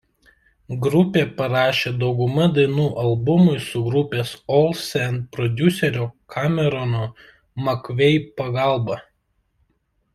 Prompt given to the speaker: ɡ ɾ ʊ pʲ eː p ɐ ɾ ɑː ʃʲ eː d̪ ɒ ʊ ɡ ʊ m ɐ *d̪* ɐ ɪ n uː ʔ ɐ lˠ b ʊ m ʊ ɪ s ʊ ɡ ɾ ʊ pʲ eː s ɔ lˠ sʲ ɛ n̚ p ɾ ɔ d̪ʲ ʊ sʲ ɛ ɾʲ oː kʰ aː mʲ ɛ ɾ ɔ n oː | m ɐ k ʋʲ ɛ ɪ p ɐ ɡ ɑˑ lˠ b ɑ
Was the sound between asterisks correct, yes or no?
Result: yes